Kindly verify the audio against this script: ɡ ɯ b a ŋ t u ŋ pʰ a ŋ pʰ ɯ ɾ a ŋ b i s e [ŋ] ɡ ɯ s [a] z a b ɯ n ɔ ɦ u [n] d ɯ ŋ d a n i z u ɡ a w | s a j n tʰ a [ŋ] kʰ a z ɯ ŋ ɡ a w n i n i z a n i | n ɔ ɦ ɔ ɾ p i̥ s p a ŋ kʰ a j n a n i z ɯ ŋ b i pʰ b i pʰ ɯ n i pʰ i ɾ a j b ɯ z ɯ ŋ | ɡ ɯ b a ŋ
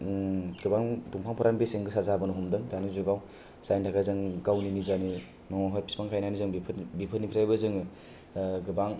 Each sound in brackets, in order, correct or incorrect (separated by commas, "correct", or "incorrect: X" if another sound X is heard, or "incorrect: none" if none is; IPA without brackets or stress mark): correct, correct, incorrect: m, incorrect: none